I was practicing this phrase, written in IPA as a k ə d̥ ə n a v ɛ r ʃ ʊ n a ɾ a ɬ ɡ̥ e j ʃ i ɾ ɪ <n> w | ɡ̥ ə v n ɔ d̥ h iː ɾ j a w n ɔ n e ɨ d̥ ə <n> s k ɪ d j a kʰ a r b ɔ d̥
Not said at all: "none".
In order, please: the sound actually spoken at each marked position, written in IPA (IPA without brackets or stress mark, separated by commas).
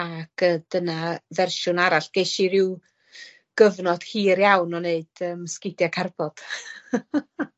none, m